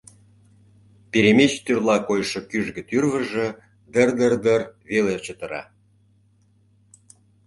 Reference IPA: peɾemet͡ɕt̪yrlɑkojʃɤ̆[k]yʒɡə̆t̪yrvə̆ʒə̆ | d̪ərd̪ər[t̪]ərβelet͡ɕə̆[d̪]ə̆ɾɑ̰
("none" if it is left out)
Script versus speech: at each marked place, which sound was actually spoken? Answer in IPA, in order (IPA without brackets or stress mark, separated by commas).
k, d̪, t̪